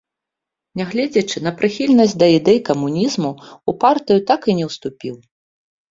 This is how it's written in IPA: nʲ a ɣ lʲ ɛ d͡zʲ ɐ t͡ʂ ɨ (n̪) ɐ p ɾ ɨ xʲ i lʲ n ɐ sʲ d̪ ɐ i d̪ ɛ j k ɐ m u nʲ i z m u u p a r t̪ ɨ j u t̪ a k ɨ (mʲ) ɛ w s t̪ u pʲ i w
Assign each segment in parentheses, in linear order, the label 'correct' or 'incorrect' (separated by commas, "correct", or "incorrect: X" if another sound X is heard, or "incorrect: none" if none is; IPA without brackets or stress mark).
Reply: correct, incorrect: nʲ